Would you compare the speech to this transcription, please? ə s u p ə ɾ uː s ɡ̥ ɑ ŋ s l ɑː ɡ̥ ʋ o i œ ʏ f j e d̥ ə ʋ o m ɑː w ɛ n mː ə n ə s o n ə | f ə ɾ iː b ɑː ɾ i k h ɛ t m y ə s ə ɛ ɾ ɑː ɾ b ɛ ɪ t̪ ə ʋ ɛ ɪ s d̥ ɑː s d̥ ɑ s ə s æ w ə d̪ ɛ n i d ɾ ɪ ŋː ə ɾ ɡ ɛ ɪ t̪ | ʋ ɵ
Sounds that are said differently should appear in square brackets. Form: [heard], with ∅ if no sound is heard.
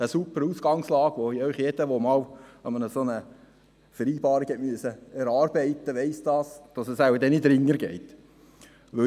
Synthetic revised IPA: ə s u p ə ɾ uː s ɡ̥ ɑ ŋ s l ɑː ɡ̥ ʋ o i œ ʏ [χ] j e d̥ ə ʋ o m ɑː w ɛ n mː ə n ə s o n ə | f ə ɾ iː b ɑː ɾ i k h ɛ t m y ə s ə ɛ ɾ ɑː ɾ b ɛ ɪ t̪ ə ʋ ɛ ɪ s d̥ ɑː s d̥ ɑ s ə s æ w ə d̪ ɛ n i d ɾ ɪ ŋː ə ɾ ɡ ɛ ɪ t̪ | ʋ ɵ